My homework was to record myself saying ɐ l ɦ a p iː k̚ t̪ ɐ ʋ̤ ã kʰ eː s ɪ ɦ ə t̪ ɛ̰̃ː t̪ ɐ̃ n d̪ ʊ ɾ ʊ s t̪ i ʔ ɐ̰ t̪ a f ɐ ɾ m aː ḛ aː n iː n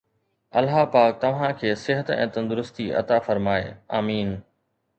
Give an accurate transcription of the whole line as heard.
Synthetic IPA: ɐ l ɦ a p aː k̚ t̪ ɐ ʋ̤ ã kʰ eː s ɪ ɦ ə t̪ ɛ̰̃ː t̪ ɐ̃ n d̪ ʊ ɾ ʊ s t̪ i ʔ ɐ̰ t̪ a f ɐ ɾ m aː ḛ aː m iː n